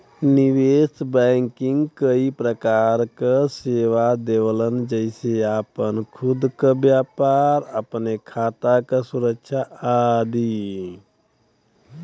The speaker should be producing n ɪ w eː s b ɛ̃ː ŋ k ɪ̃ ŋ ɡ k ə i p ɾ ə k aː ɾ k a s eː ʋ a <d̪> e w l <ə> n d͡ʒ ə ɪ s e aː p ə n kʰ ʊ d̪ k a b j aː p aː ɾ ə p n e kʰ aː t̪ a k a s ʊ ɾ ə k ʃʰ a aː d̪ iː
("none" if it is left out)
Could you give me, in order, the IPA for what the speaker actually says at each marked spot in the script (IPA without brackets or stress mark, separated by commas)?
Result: d̪, ə